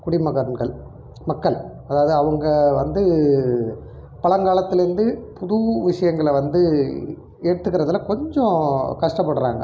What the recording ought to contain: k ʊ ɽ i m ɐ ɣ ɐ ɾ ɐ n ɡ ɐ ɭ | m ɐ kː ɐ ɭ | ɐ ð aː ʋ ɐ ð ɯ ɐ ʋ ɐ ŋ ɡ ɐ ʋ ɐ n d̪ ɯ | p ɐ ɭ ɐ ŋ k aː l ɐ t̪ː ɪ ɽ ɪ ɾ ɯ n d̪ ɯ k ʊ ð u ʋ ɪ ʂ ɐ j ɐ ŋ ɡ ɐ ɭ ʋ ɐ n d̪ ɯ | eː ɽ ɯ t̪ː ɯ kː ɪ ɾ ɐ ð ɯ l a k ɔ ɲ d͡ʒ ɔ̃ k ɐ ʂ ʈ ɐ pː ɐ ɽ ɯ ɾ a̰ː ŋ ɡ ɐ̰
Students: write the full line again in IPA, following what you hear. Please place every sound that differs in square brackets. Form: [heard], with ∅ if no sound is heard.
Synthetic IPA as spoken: k ʊ ɽ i m ɐ ɣ ɐ ɾ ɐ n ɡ ɐ ɭ | m ɐ kː ɐ ɭ | ɐ ð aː ʋ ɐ ð ɯ ɐ ʋ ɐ ŋ ɡ ɐ ʋ ɐ n d̪ ɯ | p ɐ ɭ ɐ ŋ [ɡ] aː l ɐ t̪ː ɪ [l] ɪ ɾ ɯ n d̪ ɯ [p] ʊ ð u ʋ ɪ ʂ ɐ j ɐ ŋ ɡ ɐ ɭ ʋ ɐ n d̪ ɯ | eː ɽ ɯ t̪ː ɯ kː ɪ ɾ ɐ ð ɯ l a k ɔ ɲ d͡ʒ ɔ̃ k ɐ ʂ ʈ ɐ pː ɐ ɽ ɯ ɾ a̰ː ŋ ɡ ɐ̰